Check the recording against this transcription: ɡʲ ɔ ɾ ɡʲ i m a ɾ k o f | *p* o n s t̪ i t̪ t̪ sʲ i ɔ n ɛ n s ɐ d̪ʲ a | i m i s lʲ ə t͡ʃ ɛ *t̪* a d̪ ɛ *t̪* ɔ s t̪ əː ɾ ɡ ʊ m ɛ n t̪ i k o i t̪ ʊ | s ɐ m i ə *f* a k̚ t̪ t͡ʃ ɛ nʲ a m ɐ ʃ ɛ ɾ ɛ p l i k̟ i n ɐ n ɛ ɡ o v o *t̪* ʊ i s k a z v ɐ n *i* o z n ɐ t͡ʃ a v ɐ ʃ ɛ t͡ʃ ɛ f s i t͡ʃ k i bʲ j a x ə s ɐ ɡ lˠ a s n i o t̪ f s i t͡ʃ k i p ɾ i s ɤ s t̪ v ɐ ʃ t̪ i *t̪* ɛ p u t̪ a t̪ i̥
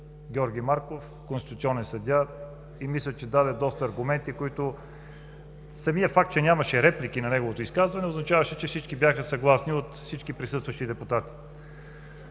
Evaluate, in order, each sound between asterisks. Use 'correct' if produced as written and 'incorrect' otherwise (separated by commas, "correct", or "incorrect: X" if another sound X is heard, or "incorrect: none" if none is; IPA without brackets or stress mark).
incorrect: k, incorrect: d̪, incorrect: d̪, correct, correct, incorrect: ɛ, incorrect: d̪